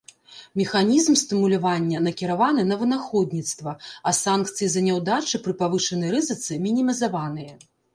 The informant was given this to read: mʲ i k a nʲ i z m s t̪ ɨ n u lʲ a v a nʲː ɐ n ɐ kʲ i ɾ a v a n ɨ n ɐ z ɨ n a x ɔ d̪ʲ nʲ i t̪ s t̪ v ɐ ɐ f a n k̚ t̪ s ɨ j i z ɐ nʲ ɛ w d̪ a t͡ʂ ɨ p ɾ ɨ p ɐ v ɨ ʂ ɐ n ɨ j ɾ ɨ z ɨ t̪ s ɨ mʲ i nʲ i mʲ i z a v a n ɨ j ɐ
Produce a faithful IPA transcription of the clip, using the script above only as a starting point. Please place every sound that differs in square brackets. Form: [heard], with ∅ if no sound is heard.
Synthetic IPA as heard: mʲ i [x] a nʲ i z m s t̪ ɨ [m] u lʲ a v a nʲː ɐ n ɐ kʲ i ɾ a v a n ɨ n ɐ [v] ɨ n a x ɔ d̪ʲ nʲ i t̪ s t̪ v ɐ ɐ [s] a n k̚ t̪ s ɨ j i z ɐ nʲ ɛ w d̪ a t͡ʂ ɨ p ɾ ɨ p [a] v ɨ ʂ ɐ n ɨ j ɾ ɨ z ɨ t̪ s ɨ mʲ i nʲ i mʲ i z a v a n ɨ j ɐ